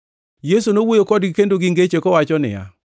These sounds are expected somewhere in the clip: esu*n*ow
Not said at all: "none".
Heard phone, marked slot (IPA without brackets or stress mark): n